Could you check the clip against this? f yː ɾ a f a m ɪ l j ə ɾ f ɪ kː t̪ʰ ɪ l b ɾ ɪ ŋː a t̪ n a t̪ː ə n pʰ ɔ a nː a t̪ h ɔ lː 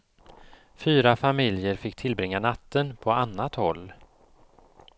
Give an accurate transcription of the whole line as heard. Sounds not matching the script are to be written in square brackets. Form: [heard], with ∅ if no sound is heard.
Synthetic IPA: f yː ɾ a f a m ɪ l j ə ɾ f ɪ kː t̪ʰ ɪ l b ɾ ɪ ŋː a [∅] n a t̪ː ə n pʰ ɔ a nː a t̪ h ɔ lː